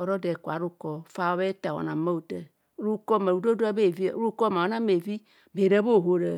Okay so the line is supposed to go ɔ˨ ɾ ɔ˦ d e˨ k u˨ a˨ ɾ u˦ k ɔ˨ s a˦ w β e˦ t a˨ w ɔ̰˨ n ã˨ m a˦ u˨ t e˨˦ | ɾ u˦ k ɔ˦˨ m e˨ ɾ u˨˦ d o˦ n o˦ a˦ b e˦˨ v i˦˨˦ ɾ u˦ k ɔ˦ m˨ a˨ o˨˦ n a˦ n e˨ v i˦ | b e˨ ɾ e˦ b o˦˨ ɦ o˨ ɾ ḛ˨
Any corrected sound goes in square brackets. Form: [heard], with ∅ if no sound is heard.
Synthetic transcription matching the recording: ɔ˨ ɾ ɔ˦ d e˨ k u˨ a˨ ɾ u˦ k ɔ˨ [f] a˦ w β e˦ t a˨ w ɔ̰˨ n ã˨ m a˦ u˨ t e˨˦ | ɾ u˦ k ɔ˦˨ m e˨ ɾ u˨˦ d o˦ [d] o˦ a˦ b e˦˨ v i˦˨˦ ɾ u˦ k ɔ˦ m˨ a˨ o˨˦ n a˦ [m] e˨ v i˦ | b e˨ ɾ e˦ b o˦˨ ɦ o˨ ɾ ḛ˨